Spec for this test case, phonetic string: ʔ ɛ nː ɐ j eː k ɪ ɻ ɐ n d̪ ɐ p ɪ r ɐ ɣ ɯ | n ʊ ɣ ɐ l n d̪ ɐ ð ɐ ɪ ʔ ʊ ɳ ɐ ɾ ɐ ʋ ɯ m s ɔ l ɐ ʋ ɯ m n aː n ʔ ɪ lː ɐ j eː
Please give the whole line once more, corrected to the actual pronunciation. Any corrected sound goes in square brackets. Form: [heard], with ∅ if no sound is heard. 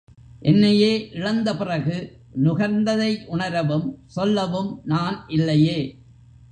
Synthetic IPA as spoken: ʔ ɛ nː ɐ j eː [ʔ] ɪ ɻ ɐ n d̪ ɐ p ɪ r ɐ ɣ ɯ | n ʊ ɣ ɐ [ɾ] n d̪ ɐ ð ɐ ɪ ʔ ʊ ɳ ɐ ɾ ɐ ʋ ɯ m s ɔ [lː] ɐ ʋ ɯ m n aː n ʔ ɪ lː ɐ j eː